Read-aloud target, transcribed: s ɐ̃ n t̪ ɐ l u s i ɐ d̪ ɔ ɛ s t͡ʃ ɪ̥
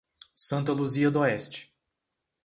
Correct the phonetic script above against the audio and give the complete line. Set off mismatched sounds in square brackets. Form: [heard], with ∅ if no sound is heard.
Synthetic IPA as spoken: s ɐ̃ n t̪ ɐ l u [z] i ɐ d̪ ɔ ɛ s t͡ʃ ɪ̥